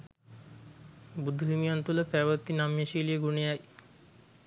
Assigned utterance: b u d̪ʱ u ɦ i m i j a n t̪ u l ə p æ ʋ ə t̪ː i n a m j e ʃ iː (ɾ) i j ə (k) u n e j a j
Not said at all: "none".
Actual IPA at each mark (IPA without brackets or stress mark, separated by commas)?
l, ɡ